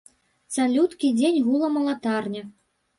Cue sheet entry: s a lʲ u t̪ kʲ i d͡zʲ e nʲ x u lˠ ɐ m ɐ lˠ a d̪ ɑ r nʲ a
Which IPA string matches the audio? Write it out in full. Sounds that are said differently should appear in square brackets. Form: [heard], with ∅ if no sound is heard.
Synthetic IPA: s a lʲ u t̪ kʲ i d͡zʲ e nʲ [ɣ] u lˠ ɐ m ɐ lˠ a [t̪] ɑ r nʲ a